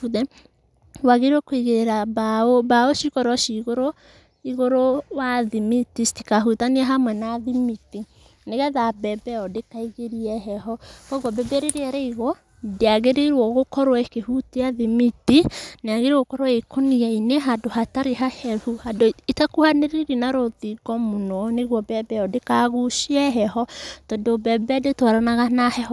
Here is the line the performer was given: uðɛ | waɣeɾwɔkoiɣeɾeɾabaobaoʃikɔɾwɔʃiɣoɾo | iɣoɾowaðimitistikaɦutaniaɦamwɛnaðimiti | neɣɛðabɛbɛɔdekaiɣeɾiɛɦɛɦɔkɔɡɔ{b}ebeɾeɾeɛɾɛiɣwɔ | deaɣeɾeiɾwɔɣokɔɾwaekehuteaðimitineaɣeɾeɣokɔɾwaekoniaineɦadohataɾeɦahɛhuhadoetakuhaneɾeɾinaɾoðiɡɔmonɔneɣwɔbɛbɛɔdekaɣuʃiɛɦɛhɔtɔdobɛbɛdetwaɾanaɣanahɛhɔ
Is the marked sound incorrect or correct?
correct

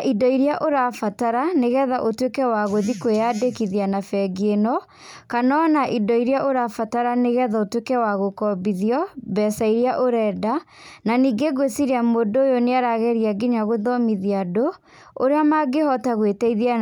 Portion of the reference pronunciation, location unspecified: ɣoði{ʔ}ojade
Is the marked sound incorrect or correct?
incorrect: k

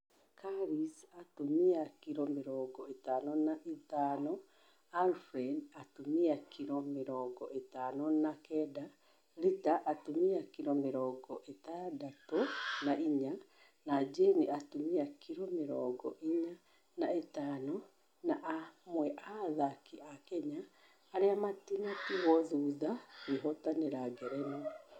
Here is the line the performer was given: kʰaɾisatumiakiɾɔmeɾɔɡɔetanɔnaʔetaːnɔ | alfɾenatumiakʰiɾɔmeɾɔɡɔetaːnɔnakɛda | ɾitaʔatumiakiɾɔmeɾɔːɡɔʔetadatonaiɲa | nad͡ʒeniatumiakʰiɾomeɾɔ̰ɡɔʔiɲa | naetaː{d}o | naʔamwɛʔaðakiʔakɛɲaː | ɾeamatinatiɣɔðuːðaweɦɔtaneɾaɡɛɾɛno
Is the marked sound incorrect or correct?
incorrect: n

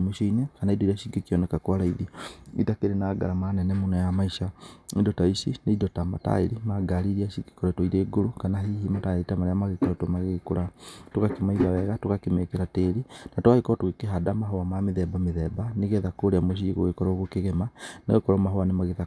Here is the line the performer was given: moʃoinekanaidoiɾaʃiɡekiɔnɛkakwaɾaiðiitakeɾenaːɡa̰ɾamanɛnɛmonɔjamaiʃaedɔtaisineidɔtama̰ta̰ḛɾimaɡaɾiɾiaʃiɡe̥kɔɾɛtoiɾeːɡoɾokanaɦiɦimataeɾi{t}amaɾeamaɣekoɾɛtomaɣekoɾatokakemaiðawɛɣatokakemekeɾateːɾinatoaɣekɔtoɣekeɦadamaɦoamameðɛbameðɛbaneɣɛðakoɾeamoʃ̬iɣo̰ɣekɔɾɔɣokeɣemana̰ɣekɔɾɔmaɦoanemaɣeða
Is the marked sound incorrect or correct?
correct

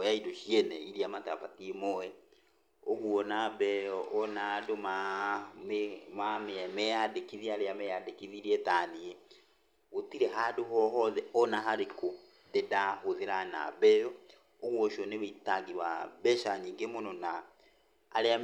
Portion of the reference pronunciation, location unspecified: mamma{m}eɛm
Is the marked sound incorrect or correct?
correct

